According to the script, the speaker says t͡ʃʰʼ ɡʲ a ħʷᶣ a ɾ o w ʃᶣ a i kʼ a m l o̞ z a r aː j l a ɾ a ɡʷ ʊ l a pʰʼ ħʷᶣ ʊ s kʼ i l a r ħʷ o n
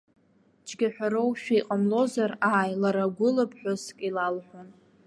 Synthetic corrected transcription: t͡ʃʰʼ ɡʲ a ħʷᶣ a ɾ o w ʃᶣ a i qʼ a m l o̞ z a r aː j l a ɾ a ɡʷ ʊ l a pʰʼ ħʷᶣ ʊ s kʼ i l a l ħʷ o n

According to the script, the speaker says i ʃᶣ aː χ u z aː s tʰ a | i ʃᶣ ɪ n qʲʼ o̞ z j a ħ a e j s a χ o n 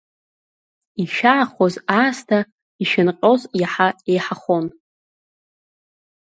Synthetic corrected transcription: i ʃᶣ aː χ o z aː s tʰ a | i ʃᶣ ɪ n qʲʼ o̞ z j a ħ a e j ħ a χ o n

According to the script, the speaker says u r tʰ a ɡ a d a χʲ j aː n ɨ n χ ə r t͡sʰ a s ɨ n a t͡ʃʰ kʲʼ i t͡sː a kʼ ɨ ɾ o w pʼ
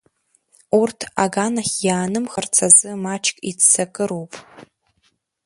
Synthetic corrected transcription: u r tʰ a ɡ a n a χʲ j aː n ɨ m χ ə r t͡sʰ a z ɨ m a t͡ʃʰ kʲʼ i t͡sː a kʼ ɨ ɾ o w pʼ

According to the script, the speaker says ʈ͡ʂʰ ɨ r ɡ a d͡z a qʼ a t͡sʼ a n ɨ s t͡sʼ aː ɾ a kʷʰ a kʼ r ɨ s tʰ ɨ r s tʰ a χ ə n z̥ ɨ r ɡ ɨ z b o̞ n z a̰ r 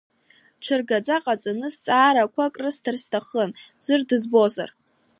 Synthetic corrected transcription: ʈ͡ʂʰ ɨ r ɡ a d͡z a qʼ a t͡sʼ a n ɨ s t͡sʼ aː ɾ a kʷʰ a kʼ r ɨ s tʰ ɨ r s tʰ a χ ə n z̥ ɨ r d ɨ z b o̞ z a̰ r

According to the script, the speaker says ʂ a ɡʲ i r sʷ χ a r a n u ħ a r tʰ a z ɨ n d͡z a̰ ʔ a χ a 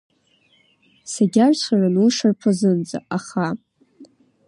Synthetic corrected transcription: s a ɡʲ a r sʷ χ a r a n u ʂ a r pʰ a z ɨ n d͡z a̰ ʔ a χ a

